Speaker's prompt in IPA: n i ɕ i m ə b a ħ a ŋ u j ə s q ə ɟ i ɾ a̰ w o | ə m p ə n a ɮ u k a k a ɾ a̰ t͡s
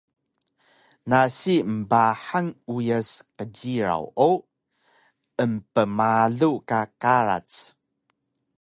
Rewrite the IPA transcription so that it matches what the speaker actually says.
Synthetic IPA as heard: n a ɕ i m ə b a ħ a ŋ u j ə s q ə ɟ i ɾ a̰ w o | ə m p ə m a ɮ u k a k a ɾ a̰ t͡s

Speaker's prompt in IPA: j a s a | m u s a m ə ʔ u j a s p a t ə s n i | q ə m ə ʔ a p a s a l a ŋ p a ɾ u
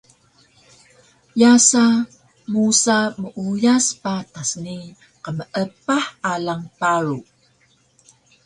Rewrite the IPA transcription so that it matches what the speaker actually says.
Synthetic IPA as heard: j a s a | m u s a m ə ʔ u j a s p a t a s n i | q ə m ə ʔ ə p a ħ a l a ŋ p a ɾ u

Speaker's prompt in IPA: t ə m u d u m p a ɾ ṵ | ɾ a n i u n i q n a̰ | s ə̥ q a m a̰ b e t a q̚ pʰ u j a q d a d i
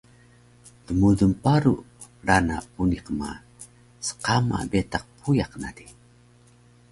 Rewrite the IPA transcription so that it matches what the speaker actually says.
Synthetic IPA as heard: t ə m u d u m p a ɾ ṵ | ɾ a n a u n i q m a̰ | s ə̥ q a m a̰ b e t a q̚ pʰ u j a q n a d i

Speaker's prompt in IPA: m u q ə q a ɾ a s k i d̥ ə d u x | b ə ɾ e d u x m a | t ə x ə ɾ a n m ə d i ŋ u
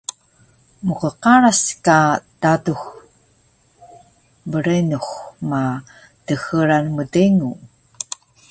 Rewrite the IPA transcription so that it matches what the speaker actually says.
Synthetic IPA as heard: m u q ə q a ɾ a s k a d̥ a d u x | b ə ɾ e n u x m a | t ə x ə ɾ a n m ə d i ŋ u

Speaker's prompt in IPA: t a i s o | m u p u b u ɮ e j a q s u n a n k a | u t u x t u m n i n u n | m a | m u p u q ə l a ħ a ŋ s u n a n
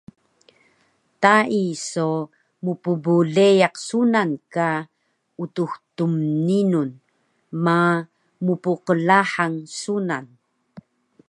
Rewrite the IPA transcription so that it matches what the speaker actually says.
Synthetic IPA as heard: t a i s o | m u p u b u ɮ e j a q s u n a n k a | u t u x t u m n i n u n | m a | m u p u q ə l a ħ a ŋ s u n a n

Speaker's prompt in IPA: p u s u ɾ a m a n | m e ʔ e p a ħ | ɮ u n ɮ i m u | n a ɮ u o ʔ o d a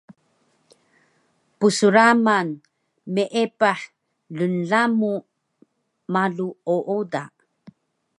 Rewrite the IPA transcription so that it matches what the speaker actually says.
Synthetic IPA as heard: p u s u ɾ a m a n | m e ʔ e p a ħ | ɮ u n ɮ a m u | m a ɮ u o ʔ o d a

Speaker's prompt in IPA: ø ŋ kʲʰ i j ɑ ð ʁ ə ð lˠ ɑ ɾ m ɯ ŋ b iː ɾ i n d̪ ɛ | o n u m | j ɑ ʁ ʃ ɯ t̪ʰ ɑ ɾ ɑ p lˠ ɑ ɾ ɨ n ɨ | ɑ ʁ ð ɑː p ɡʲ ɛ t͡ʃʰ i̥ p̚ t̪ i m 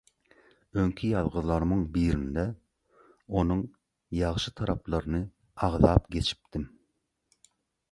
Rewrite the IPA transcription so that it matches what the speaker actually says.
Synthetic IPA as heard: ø ŋ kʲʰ i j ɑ ð ʁ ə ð lˠ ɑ ɾ m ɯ ŋ b iː ɾ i n d̪ ɛ | o n u ŋ | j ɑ ʁ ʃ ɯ t̪ʰ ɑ ɾ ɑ p lˠ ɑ ɾ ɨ n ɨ | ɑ ʁ ð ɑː p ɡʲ e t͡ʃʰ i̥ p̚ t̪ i m

